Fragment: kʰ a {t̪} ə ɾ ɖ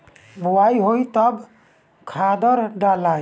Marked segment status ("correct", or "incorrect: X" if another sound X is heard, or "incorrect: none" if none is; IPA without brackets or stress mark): incorrect: d̪